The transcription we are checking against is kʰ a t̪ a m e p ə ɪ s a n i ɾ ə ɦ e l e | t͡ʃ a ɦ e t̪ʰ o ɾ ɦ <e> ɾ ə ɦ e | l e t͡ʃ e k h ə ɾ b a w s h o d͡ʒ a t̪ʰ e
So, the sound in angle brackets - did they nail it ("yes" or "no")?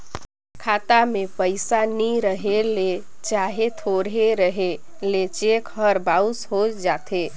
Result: yes